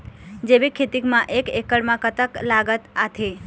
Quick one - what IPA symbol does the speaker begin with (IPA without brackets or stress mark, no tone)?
d͡ʒ